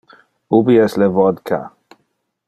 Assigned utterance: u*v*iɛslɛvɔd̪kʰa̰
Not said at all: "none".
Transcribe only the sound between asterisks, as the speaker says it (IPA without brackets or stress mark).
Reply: b